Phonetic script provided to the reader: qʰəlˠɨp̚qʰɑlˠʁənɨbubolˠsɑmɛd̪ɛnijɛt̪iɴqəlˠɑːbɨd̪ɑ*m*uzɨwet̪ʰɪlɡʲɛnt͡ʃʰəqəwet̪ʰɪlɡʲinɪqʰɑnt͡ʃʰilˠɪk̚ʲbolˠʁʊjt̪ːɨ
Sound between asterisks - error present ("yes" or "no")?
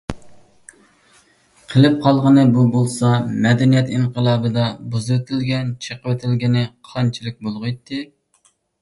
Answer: yes